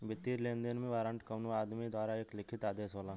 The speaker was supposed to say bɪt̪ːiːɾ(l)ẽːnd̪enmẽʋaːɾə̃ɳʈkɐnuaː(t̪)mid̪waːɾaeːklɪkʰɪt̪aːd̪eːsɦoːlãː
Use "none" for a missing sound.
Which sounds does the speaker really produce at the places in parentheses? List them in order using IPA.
l, d̪

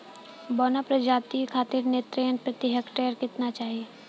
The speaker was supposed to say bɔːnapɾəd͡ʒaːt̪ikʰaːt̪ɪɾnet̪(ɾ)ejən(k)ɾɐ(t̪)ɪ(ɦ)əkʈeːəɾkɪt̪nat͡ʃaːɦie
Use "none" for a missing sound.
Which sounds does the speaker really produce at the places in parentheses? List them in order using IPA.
ɾ, p, t̪, ɦ

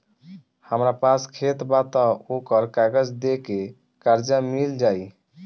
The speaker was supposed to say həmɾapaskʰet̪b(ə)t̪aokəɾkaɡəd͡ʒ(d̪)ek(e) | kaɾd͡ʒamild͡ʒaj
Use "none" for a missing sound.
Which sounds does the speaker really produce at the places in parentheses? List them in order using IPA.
a, d̪, e

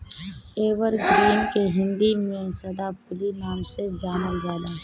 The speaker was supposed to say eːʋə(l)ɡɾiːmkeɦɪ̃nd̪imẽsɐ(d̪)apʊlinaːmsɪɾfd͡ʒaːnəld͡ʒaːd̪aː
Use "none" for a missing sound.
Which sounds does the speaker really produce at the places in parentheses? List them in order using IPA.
ɾ, d̪

